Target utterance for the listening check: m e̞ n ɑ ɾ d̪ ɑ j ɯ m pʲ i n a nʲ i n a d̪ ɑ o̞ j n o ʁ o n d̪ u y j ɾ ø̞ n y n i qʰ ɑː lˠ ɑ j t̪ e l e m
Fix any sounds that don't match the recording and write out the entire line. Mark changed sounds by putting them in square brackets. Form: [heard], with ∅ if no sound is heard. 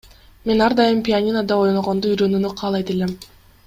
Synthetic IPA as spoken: m e̞ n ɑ ɾ d̪ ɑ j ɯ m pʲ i [∅] a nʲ i n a d̪ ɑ o̞ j n o ʁ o n d̪ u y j ɾ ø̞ n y n [y] qʰ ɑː lˠ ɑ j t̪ e l e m